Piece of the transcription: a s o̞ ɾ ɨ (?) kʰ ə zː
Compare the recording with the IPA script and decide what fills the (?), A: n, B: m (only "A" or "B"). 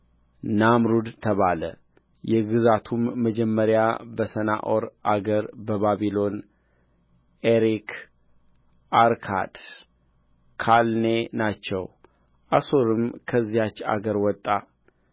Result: B